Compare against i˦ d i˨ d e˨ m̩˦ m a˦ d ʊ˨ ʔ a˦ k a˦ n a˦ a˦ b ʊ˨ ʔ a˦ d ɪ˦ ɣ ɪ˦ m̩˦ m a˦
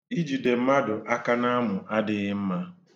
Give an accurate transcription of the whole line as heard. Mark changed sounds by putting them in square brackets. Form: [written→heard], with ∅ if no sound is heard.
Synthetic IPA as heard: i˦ [d→d͡ʒ] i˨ d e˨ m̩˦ m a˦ d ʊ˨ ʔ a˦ k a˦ n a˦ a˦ [b→m] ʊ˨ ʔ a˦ d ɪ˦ ɣ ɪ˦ m̩˦ m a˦